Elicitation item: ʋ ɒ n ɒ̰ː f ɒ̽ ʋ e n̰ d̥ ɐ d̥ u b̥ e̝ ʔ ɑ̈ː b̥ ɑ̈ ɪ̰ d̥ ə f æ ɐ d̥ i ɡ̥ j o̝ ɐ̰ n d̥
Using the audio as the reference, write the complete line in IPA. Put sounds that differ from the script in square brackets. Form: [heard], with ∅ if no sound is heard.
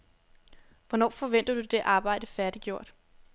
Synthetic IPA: ʋ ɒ n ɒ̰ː f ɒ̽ ʋ e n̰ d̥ ɐ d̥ u [d̥] e̝ ʔ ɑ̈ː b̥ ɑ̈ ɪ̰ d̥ ə f æ ɐ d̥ i ɡ̥ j o̝ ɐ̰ [∅] d̥